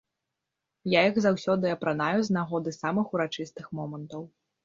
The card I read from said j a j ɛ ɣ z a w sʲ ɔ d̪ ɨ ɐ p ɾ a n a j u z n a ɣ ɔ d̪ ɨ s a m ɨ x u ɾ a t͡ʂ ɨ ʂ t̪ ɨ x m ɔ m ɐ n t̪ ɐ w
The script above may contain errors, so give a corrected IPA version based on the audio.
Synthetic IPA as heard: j a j i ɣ z a w sʲ ɔ d̪ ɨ ɐ p ɾ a n a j u z n a ɣ ɔ d̪ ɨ s a m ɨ x u ɾ a t͡ʂ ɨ s t̪ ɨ x m ɔ m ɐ n t̪ ɐ w